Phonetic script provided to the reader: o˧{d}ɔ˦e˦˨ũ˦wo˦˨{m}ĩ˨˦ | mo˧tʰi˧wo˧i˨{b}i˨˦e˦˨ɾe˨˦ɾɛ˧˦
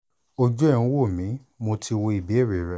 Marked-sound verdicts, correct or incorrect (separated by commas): incorrect, correct, correct